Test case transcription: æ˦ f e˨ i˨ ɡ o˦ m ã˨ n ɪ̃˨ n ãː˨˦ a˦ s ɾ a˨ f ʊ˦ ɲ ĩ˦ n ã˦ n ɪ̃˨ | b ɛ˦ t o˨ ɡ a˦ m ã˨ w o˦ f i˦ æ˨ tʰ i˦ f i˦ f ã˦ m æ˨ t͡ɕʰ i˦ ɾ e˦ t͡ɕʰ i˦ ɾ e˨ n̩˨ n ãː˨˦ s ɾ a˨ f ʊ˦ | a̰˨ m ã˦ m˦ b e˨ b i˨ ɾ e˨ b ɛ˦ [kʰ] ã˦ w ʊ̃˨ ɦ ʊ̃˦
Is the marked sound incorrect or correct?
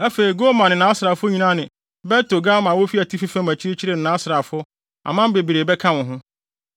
correct